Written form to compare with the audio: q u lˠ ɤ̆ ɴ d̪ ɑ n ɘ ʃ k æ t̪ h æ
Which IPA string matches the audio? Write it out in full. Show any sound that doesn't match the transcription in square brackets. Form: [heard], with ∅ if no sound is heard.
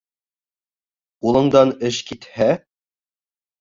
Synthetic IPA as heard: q u lˠ ɤ̆ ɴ d̪ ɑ n ɘ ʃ k [i] t̪ h æ